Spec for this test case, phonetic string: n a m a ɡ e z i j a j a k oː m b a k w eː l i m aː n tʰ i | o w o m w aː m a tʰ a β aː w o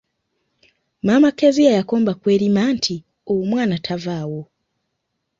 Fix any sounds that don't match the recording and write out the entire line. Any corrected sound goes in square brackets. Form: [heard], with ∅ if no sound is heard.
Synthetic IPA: [m] a m a [k] e z i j a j a k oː m b a k w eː [ɾ] i m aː n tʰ i | o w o m w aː [n] a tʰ a [v] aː w o